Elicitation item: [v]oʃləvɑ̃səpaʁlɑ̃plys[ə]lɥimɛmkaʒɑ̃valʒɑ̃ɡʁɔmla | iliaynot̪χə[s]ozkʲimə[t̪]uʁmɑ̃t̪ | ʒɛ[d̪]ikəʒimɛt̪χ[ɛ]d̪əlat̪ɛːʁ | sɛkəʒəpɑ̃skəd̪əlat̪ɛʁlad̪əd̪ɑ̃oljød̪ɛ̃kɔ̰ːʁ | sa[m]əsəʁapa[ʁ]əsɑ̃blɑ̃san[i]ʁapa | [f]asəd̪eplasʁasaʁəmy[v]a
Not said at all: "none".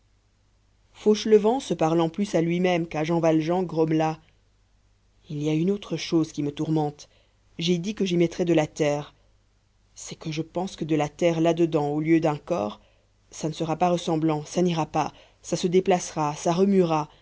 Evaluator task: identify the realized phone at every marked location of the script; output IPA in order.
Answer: f, a, ʃ, t̪, d̪, ɛ, n, ʁ, i, s, ʁ

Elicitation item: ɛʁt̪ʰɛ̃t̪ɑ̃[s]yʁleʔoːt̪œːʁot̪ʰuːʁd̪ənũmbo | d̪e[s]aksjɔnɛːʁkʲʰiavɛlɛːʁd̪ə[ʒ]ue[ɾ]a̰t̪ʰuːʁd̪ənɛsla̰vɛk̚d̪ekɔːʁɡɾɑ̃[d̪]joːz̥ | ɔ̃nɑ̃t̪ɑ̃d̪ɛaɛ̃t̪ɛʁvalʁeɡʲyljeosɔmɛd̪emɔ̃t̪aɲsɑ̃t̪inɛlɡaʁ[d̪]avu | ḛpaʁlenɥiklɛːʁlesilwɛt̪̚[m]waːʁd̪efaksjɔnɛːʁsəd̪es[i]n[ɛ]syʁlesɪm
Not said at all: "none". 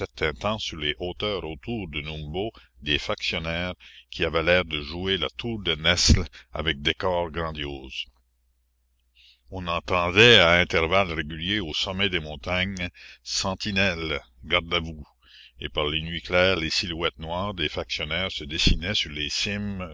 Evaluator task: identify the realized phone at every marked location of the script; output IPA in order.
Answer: s, f, ʒ, l, d̪, d̪, n, i, ɛ

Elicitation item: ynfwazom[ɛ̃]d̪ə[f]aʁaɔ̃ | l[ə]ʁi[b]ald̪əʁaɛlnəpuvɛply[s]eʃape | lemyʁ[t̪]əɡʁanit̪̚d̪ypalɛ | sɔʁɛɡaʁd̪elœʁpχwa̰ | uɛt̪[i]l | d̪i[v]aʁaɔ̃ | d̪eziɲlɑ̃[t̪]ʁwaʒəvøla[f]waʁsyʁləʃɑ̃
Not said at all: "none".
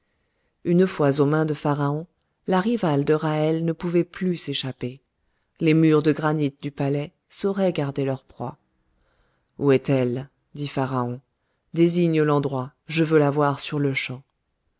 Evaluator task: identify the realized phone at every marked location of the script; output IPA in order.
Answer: ɛ̃, f, a, v, s, d̪, ɛ, f, d̪, v

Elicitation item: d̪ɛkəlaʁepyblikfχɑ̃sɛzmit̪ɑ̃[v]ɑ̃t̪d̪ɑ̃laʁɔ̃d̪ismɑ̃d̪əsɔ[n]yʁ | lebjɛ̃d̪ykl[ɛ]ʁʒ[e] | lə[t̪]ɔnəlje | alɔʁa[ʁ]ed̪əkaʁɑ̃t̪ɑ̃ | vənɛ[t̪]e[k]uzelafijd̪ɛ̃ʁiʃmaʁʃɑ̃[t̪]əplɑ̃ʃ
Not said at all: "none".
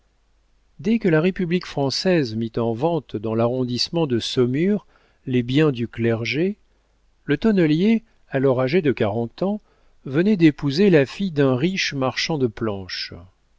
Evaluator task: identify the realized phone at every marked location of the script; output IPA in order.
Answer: v, m, ɛ, e, t̪, ʒ, d̪, p, d̪

